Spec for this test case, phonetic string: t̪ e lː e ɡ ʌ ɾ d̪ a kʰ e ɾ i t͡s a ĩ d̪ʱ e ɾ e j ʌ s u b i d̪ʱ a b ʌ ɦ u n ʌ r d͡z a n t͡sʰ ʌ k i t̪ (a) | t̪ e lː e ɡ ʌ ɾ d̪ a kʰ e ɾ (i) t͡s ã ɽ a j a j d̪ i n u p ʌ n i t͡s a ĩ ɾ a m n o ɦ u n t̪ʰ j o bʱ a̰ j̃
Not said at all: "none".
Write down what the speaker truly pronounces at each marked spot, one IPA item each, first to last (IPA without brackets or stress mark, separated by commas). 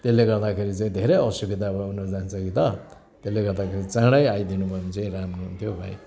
ʌ, i